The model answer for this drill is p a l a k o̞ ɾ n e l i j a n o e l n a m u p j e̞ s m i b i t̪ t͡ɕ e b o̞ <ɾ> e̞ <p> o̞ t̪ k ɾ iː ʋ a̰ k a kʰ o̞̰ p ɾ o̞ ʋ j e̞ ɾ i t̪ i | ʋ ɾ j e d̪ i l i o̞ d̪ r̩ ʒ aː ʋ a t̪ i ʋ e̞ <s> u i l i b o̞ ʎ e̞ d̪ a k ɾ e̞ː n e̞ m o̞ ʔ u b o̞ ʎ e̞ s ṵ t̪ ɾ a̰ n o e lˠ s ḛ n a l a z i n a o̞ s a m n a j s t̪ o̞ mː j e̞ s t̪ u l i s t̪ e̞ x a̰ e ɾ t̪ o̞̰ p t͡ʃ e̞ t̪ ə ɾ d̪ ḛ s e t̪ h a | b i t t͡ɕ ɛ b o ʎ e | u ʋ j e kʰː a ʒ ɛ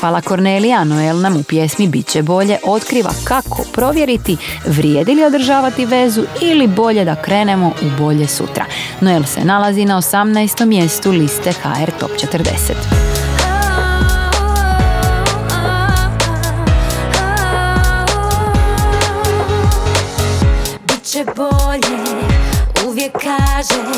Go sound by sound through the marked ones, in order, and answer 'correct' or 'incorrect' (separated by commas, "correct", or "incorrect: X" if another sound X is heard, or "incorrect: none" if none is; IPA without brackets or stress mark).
incorrect: ʎ, incorrect: ʔ, incorrect: z